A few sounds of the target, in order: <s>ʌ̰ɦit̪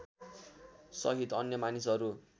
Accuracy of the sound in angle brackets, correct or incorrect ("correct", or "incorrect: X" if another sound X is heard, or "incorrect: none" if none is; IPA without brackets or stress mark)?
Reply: correct